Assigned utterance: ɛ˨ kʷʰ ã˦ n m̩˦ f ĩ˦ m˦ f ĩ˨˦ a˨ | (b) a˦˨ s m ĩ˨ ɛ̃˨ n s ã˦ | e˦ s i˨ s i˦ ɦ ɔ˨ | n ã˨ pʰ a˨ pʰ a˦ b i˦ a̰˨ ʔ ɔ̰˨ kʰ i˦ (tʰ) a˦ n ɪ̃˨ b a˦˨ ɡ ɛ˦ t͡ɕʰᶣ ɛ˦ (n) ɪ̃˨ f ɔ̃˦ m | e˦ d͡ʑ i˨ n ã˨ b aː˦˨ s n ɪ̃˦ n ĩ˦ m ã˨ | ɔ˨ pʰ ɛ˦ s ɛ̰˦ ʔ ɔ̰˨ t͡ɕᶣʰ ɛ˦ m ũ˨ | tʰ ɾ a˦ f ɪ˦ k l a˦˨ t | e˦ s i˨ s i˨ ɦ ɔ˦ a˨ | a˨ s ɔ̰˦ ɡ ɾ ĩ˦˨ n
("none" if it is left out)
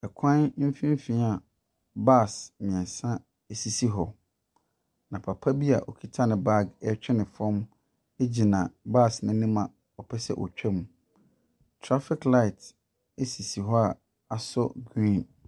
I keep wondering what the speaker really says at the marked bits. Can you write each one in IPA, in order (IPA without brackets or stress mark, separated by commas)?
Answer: b, tʰ, n